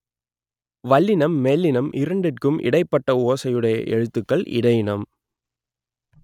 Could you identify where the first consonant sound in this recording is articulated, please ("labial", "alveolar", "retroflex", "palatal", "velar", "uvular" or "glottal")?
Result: labial